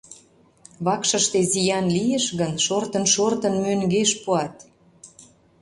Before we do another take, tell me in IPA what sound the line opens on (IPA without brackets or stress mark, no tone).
β